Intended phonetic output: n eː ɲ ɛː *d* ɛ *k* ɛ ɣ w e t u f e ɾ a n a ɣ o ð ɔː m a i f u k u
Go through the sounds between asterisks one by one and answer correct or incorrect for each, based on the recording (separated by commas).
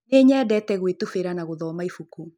correct, incorrect